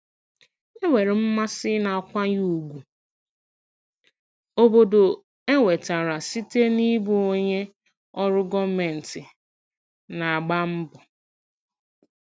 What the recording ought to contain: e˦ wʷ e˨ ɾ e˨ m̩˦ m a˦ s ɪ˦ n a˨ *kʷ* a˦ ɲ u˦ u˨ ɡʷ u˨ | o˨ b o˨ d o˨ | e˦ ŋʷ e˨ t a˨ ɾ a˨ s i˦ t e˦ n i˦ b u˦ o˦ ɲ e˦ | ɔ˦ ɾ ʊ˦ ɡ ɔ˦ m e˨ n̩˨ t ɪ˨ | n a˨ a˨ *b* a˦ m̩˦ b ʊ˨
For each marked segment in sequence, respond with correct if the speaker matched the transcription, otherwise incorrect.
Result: correct, incorrect

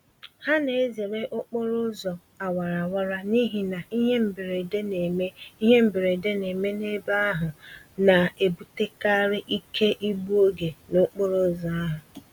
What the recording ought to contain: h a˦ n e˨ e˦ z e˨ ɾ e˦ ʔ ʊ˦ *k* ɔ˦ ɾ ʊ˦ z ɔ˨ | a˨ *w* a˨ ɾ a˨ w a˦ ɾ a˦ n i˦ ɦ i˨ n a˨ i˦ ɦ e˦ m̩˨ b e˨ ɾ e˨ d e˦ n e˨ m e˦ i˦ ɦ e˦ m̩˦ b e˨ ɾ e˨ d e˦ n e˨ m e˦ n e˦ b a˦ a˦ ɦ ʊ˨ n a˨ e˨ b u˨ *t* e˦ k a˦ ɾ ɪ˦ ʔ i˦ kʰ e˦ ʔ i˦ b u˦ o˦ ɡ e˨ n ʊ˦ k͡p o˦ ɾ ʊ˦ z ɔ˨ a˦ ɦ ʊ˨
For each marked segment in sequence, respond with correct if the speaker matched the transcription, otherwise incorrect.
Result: incorrect, correct, correct

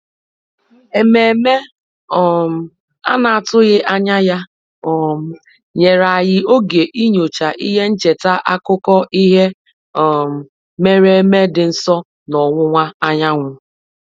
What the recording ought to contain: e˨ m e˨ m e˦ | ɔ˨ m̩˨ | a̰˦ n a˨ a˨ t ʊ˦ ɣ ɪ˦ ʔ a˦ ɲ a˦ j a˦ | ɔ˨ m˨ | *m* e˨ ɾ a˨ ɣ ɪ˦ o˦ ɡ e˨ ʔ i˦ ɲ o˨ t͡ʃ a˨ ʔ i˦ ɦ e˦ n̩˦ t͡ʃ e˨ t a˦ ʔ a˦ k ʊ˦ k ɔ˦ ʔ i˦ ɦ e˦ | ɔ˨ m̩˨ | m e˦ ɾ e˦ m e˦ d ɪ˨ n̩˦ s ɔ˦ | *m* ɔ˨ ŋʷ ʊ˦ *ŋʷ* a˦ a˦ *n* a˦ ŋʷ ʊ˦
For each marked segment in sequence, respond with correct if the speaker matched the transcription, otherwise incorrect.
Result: incorrect, incorrect, correct, incorrect

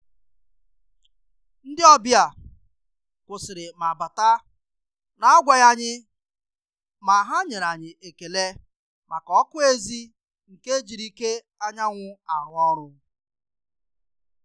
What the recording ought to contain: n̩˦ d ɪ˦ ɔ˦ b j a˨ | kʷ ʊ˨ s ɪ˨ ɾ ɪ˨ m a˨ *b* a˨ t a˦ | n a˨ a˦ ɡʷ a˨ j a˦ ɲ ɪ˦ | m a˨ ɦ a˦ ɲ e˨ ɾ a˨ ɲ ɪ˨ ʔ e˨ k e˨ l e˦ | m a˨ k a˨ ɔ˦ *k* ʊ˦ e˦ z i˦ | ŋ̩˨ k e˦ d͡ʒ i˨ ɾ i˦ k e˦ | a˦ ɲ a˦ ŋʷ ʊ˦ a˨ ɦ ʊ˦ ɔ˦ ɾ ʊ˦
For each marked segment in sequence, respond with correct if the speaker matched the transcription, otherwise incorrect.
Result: correct, correct

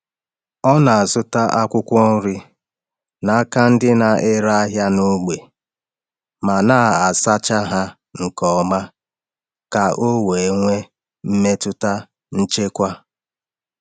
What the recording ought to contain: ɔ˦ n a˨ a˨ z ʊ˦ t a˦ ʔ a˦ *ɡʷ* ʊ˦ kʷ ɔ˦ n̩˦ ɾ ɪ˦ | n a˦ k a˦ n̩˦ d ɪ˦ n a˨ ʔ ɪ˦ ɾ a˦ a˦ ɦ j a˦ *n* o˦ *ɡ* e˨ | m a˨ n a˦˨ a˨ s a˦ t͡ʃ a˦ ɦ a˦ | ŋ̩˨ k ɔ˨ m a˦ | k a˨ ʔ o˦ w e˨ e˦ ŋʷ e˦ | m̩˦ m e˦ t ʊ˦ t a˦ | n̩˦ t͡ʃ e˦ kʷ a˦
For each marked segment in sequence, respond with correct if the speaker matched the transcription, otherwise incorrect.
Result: incorrect, correct, incorrect

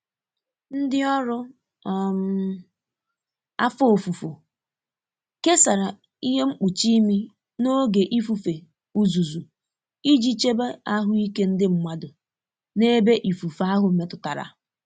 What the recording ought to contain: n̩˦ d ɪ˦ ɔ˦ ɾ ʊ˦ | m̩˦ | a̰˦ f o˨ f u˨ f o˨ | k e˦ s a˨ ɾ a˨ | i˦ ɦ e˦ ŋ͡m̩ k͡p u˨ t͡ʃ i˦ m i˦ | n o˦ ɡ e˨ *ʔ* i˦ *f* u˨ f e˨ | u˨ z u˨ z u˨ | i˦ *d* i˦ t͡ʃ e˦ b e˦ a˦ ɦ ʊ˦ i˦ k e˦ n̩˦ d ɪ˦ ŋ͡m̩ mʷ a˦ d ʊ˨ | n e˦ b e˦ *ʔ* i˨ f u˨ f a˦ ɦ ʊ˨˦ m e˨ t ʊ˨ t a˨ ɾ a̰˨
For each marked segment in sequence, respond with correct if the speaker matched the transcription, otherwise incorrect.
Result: correct, correct, incorrect, correct

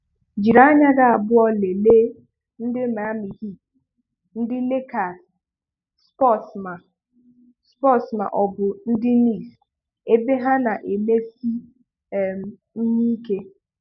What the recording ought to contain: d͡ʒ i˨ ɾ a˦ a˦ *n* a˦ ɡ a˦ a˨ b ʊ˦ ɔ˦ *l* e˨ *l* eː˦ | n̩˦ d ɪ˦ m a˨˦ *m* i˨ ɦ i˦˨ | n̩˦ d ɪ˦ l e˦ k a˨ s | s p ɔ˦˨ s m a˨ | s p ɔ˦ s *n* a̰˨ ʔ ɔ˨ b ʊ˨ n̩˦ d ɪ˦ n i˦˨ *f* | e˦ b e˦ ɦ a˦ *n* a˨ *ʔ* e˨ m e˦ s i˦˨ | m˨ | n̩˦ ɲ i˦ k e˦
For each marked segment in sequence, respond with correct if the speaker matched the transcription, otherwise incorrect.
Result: incorrect, correct, correct, correct, incorrect, incorrect, correct, correct

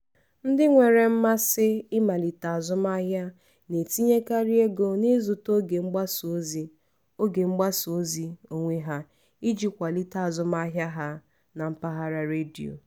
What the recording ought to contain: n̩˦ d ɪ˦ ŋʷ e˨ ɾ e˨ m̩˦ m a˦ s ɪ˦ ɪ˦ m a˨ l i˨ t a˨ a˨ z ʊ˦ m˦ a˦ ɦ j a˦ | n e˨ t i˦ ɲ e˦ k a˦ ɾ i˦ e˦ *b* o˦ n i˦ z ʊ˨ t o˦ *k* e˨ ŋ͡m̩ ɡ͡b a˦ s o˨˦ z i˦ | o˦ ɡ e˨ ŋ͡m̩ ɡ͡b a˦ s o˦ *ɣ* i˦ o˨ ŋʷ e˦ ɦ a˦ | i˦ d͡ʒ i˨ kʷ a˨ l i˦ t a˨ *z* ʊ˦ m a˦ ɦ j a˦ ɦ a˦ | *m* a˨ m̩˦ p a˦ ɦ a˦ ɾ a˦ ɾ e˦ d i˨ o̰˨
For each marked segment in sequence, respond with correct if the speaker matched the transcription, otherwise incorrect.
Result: incorrect, incorrect, incorrect, correct, incorrect

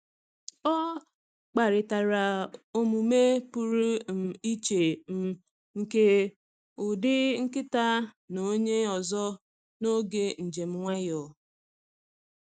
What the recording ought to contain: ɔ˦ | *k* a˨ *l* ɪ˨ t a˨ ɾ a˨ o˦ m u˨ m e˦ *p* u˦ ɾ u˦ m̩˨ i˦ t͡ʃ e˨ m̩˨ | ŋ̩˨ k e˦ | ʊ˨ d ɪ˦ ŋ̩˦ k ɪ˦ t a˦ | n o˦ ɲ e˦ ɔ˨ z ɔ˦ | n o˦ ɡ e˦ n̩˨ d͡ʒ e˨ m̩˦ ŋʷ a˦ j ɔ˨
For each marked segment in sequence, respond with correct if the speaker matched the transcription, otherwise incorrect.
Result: incorrect, incorrect, correct

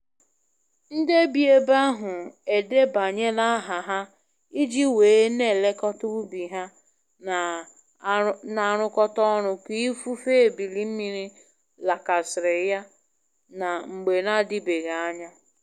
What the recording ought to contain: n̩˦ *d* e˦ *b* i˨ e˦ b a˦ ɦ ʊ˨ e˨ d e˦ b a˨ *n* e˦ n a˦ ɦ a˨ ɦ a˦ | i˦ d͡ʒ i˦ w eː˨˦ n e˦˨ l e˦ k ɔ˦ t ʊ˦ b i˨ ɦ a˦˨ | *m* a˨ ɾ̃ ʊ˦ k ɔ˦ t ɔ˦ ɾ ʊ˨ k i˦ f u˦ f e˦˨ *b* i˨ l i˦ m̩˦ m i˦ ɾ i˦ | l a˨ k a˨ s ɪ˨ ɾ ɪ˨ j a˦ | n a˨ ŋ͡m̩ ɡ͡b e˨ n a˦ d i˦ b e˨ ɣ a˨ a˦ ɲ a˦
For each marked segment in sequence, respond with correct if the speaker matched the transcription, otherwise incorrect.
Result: correct, correct, incorrect, incorrect, correct

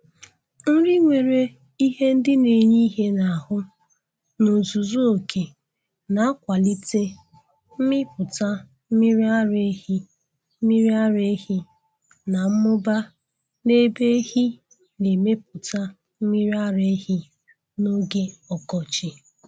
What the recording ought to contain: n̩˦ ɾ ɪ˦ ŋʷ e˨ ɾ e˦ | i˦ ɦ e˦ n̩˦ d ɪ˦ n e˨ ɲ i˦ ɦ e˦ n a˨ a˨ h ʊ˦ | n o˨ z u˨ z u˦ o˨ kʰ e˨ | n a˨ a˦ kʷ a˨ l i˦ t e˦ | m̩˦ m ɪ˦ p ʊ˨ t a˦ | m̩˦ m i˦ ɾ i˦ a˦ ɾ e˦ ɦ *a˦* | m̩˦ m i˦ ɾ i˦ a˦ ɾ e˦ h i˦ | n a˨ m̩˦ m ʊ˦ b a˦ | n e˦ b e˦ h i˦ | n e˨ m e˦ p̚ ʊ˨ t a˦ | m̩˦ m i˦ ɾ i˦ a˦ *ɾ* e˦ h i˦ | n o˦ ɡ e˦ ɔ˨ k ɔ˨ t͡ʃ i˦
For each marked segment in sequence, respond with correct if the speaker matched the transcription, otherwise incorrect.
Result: incorrect, correct

